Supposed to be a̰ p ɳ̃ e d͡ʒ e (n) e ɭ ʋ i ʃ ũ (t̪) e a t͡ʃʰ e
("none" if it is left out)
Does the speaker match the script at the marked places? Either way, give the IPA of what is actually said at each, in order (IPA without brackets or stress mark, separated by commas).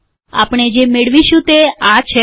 m, t̪